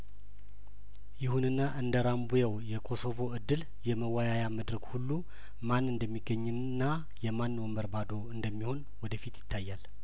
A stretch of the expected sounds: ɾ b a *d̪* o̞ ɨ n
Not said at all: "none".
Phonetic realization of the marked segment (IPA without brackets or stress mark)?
d̪